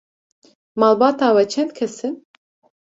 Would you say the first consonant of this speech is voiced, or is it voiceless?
voiced